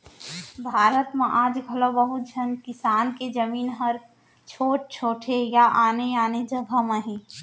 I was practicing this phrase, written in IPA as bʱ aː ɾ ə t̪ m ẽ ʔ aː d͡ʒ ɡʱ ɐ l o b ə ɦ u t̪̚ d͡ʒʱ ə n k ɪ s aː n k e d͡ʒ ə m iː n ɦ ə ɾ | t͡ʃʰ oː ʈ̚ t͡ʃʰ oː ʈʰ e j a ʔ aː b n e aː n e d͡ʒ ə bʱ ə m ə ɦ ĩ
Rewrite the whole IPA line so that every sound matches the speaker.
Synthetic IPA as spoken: bʱ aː ɾ ə t̪ m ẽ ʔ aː d͡ʒ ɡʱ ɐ l o b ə ɦ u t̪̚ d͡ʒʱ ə n k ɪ s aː n k e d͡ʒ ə m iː n ɦ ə ɾ | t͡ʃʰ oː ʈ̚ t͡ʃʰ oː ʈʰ e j a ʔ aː n e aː n e d͡ʒ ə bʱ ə m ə ɦ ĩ